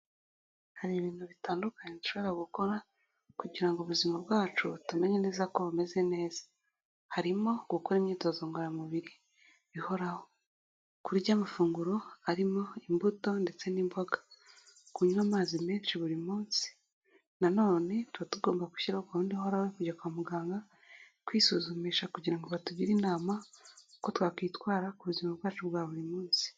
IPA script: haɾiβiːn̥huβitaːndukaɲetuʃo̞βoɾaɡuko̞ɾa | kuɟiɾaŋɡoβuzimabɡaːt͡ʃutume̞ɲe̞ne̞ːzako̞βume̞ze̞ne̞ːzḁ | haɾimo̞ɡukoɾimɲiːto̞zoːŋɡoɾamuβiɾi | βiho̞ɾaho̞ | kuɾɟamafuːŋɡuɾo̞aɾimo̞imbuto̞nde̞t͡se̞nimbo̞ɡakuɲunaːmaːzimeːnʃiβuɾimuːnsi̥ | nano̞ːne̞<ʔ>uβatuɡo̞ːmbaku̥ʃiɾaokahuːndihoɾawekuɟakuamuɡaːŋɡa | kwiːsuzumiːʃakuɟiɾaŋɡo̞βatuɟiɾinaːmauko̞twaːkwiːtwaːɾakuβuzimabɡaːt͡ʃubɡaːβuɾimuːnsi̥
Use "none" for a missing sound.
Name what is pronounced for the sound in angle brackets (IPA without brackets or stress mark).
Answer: t